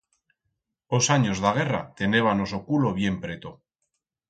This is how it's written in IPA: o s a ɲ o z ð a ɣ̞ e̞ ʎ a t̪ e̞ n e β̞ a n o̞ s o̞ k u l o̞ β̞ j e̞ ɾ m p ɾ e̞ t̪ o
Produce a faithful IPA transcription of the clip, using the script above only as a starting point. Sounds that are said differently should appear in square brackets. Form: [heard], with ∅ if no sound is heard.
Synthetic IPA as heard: o s a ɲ o z ð a ɣ̞ e̞ [r] a t̪ e̞ n e β̞ a n o̞ s o̞ k u l o̞ β̞ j e̞ [∅] m p ɾ e̞ t̪ o